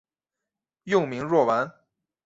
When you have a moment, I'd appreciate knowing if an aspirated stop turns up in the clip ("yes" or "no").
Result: no